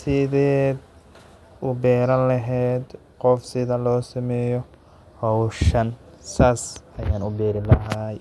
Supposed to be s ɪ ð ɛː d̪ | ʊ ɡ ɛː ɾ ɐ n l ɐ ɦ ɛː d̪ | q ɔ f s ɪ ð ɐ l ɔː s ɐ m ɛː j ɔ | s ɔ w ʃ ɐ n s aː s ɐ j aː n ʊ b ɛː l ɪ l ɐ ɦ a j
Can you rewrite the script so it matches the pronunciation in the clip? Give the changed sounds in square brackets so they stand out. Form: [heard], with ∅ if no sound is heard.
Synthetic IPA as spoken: s ɪ ð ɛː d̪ | ʊ [b] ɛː ɾ ɐ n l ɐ ɦ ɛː d̪ | q ɔ f s ɪ ð ɐ l ɔː s ɐ m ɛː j ɔ | [h] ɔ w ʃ ɐ n s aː s ɐ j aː n ʊ b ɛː [ɾ] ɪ l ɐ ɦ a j